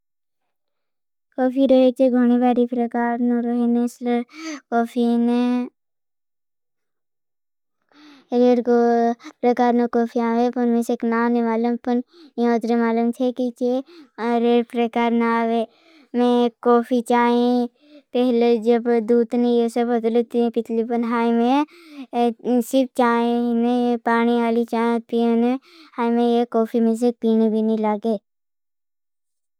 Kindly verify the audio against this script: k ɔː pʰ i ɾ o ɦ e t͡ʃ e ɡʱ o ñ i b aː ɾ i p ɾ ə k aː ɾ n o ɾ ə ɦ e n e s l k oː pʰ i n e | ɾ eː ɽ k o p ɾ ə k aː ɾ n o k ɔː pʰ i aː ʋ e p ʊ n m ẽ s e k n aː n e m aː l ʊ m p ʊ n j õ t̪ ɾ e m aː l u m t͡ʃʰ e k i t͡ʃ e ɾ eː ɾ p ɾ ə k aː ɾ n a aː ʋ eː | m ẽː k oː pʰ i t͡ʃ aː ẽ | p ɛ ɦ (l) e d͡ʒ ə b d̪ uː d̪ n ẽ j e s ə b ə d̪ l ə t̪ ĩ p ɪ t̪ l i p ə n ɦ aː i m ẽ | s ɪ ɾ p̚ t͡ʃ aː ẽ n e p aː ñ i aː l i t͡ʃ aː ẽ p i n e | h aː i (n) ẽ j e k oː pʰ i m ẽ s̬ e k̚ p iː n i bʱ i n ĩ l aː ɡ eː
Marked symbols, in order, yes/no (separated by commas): yes, no